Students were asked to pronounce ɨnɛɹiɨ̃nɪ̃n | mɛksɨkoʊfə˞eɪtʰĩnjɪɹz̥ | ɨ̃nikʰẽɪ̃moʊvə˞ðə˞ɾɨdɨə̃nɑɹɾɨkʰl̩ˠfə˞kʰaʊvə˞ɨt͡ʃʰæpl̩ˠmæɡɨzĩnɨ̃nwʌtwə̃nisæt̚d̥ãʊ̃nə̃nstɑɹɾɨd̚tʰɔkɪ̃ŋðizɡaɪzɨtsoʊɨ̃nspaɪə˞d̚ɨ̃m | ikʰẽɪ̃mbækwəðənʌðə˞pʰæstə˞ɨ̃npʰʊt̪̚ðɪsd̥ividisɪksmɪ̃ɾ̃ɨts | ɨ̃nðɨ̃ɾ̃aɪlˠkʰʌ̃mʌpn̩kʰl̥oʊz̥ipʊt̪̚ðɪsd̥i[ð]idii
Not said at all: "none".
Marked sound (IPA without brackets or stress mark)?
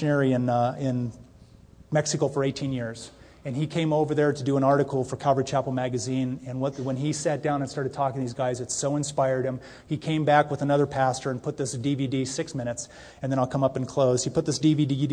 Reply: v